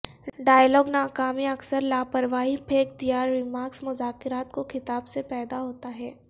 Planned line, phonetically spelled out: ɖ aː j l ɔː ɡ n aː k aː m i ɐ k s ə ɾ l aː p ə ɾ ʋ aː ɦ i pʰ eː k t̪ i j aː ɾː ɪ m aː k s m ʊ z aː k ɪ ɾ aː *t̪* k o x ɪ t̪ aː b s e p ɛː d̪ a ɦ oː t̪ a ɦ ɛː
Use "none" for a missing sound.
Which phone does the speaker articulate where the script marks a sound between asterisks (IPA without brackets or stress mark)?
t̪